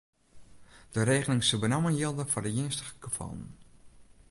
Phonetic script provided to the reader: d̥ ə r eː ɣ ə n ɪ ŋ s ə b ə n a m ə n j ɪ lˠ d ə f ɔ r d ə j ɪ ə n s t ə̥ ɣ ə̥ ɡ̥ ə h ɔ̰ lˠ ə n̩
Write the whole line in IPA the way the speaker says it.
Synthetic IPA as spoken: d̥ ə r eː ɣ ə n ɪ ŋ s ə b ə n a m ə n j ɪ lˠ d ə f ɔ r d ə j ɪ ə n s t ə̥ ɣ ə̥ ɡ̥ ə f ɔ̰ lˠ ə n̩